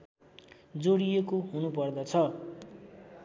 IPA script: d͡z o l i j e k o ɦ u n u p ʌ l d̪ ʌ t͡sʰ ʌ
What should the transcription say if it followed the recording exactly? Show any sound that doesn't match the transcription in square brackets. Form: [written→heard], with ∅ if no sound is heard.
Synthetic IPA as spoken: d͡z o [l→ɽ] i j e k o ɦ u n u p ʌ [l→r] d̪ ʌ t͡sʰ ʌ